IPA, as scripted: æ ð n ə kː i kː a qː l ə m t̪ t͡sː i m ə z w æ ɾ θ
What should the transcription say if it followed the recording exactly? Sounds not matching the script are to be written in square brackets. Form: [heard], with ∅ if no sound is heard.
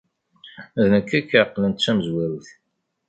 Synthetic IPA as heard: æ ð n ə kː [æ] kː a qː l ə [n] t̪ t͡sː [æ] m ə z w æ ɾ θ